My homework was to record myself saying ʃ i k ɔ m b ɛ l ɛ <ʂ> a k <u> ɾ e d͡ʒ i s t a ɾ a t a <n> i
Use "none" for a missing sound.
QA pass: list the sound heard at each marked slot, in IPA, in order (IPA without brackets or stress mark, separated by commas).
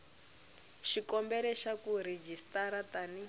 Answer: ʃ, u, n